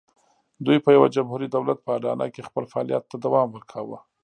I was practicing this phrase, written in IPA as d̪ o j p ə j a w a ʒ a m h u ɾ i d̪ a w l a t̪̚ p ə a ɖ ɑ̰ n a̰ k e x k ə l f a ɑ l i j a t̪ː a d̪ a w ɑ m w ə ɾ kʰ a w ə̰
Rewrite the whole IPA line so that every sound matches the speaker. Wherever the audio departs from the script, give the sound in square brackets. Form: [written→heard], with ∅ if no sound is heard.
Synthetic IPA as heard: d̪ [o→u] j p ə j a w a [ʒ→d͡ʒ] a m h u ɾ i d̪ a w l a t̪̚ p ə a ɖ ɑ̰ n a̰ k e x [k→p] ə l f a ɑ l i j a t̪ː a d̪ a w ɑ m w ə ɾ kʰ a w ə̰

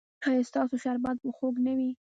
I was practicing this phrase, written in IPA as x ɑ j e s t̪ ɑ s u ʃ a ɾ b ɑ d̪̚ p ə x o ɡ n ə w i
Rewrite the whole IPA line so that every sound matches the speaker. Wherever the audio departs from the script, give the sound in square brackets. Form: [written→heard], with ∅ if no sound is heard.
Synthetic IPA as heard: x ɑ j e s t̪ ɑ s [u→o] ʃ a ɾ b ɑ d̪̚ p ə x o ɡ n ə w i

